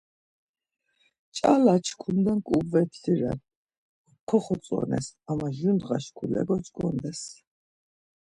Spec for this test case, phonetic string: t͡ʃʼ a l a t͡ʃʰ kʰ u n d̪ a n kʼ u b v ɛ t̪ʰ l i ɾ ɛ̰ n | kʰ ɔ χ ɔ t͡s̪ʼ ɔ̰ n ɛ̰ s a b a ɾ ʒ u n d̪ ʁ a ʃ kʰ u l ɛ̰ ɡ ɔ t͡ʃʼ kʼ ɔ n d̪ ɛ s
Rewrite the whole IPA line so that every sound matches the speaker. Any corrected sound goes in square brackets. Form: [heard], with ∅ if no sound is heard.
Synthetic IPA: t͡ʃʼ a l a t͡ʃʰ kʰ u n d̪ a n kʼ u b v ɛ t̪ʰ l i ɾ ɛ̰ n | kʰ ɔ χ ɔ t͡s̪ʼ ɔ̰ n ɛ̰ s a [m] a [∅] ʒ u n d̪ ʁ a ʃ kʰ u l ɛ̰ ɡ ɔ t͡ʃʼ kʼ ɔ n d̪ ɛ s